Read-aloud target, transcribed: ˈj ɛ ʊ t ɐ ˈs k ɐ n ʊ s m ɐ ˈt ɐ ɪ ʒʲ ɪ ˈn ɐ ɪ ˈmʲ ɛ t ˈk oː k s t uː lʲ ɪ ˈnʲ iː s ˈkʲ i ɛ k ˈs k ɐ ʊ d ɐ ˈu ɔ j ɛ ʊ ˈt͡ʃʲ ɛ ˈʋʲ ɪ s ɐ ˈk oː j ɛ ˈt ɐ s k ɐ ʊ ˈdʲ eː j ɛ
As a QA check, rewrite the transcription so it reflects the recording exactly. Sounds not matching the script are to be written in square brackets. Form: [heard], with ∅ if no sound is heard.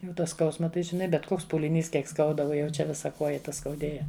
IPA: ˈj ɛ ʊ t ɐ ˈs k ɐ [∅] ʊ s m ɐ ˈt ɐ ɪ ʒʲ ɪ ˈn ɐ ɪ [ˈbʲ] ɛ t ˈk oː k s [p] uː lʲ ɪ ˈnʲ iː s ˈkʲ i ɛ k ˈs k ɐ ʊ d ɐ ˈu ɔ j ɛ ʊ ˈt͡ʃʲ ɛ ˈʋʲ ɪ s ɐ ˈk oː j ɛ ˈt ɐ s k ɐ ʊ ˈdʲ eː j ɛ